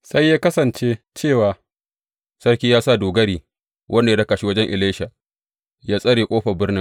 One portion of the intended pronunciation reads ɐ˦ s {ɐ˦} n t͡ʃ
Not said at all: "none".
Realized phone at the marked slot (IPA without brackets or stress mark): ɐ˨